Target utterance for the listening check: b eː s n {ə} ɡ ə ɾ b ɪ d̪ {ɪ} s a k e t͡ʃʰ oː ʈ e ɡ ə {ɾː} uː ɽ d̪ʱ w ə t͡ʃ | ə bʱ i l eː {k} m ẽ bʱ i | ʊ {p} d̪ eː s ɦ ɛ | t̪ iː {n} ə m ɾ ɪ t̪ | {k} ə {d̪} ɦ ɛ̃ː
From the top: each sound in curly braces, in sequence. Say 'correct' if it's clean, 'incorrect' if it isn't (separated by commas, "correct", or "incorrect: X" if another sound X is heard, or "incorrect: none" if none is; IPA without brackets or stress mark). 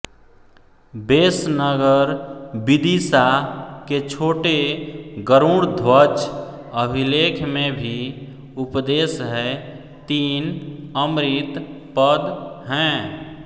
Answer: correct, incorrect: i, incorrect: ɾ, incorrect: kʰ, correct, correct, incorrect: p, correct